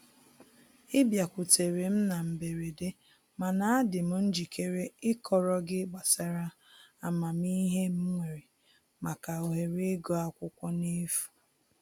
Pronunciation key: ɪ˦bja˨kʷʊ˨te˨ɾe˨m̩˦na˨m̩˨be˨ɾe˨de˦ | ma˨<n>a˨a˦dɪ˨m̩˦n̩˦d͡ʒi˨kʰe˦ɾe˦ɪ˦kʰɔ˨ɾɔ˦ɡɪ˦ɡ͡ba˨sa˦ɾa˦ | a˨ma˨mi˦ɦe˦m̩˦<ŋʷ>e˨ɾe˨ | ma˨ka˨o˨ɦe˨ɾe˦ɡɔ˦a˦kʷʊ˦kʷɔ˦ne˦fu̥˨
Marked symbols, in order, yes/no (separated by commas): yes, yes